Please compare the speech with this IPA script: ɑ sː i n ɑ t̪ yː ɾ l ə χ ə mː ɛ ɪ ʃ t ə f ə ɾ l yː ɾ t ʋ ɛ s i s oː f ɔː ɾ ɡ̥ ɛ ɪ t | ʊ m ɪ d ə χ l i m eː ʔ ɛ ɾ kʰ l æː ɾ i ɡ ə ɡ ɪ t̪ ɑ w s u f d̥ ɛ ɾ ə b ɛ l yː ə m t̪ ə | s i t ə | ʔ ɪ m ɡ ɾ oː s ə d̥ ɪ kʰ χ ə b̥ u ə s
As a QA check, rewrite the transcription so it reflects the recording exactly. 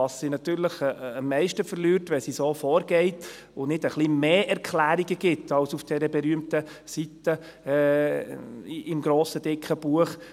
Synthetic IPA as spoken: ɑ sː i n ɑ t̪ yː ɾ l ə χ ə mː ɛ ɪ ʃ t ə f ə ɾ l yː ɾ t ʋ ɛ s i s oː f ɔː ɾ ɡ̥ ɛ ɪ t | ʊ n ɪ d ə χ l i m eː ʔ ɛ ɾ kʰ l æː ɾ i ɡ ə ɡ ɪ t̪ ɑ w s u f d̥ ɛ ɾ ə b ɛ ɾ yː ə m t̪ ə | s i t ə | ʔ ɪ m ɡ ɾ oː s ə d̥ ɪ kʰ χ ə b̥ u ə χ